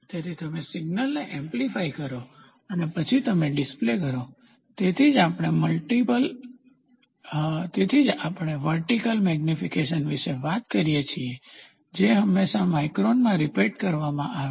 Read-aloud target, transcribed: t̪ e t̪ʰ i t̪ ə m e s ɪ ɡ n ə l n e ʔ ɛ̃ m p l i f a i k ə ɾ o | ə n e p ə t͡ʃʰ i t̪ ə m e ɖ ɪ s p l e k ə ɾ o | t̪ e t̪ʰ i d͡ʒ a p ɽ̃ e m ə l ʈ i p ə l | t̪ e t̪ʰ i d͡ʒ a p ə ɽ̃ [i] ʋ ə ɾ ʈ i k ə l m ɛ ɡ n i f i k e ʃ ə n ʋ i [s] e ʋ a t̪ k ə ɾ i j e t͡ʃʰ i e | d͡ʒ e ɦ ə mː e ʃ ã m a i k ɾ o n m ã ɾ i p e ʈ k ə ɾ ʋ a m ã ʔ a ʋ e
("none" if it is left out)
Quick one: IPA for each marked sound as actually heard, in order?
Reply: e, ʃ

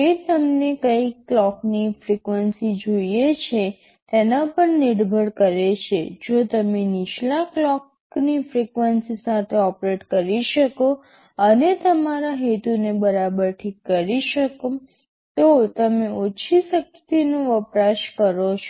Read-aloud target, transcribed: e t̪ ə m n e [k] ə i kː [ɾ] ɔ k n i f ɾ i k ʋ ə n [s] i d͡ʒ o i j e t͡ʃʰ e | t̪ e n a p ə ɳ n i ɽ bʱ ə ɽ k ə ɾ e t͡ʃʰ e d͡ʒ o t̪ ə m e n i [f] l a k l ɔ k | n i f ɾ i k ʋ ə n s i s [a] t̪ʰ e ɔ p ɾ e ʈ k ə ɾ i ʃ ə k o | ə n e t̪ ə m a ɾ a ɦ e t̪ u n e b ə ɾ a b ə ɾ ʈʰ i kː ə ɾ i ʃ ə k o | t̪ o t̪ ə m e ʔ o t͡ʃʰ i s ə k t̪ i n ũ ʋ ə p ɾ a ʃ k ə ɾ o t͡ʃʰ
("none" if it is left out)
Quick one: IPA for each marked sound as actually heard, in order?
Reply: k, l, s, ʃ, a

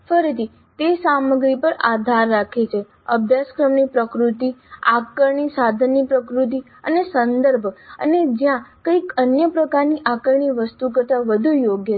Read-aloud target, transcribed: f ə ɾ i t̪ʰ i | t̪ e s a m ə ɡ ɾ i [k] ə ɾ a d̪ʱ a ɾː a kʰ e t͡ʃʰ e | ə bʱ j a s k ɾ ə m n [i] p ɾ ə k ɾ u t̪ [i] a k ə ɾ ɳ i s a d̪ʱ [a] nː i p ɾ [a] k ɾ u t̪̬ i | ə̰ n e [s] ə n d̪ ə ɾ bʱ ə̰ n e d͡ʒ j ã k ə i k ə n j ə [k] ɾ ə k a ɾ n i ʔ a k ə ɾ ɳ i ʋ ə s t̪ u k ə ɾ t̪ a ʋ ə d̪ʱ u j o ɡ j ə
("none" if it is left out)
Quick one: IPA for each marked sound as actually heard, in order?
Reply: p, i, i, ə, ə, s, p

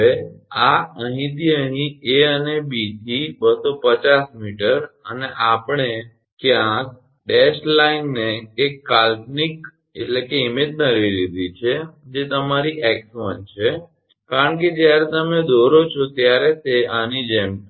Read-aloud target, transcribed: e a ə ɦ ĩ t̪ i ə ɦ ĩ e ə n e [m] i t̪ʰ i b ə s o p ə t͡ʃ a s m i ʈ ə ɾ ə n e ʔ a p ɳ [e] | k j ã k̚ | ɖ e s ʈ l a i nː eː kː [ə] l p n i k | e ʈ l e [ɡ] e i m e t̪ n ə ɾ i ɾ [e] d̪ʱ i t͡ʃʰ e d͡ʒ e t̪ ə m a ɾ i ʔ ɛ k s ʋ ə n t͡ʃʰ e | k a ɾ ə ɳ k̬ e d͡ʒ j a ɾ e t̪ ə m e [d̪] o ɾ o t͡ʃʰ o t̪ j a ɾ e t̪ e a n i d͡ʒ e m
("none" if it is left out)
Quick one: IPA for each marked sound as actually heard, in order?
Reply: b, e, a, k, i, d̪

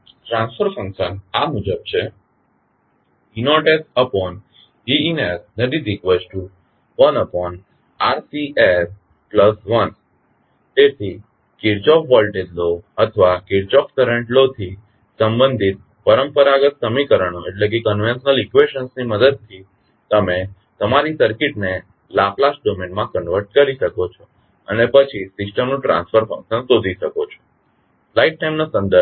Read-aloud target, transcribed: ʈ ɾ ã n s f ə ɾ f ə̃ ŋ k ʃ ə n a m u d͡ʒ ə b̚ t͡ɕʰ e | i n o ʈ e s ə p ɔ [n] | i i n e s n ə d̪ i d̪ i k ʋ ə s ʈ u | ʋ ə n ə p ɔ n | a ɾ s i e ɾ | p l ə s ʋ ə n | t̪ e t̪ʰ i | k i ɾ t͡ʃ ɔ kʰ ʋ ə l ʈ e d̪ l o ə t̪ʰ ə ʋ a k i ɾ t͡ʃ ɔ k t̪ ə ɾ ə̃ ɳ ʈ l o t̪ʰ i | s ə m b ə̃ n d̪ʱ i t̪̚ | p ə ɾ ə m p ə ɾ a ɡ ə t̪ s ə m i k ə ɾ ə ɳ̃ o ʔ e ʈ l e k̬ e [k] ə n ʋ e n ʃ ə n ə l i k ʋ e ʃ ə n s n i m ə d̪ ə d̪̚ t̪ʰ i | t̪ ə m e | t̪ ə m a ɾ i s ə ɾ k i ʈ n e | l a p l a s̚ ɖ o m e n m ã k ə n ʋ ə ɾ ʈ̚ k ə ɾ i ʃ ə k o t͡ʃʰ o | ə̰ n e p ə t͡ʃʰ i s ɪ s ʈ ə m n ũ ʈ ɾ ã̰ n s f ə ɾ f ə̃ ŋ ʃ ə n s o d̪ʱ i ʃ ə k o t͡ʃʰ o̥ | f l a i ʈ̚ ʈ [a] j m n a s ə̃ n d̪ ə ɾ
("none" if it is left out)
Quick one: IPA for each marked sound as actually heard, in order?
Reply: n, k, a

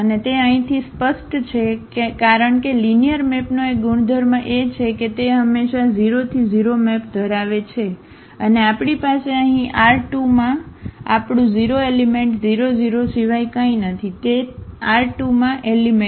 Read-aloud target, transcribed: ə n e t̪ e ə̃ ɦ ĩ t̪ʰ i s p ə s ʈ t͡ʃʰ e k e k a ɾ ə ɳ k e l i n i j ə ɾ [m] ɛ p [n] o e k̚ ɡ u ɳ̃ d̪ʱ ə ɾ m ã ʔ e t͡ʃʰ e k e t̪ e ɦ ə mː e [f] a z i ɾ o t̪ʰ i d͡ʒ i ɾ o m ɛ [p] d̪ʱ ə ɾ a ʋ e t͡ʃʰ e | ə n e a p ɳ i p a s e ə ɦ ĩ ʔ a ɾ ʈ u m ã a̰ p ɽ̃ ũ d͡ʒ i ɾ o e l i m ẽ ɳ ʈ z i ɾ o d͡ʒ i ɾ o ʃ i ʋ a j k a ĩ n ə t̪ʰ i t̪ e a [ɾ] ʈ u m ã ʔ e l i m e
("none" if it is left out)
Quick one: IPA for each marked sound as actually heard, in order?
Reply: m, n, ʃ, p, ɾ

